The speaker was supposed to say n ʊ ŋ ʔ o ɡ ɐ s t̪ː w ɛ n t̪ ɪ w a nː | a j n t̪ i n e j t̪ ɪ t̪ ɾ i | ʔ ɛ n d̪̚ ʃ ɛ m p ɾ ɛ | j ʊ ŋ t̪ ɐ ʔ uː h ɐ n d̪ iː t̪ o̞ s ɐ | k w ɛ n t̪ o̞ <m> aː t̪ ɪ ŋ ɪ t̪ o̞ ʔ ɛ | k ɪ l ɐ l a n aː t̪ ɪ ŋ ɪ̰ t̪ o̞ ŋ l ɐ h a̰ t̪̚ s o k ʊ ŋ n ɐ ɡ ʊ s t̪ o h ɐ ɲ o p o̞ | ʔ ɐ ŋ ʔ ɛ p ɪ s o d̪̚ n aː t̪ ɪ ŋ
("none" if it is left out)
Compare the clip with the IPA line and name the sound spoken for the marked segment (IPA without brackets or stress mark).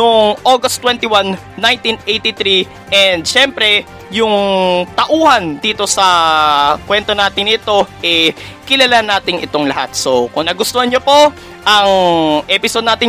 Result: n